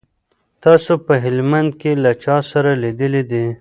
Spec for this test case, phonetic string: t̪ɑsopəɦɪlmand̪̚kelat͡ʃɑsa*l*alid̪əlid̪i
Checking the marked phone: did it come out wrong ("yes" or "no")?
yes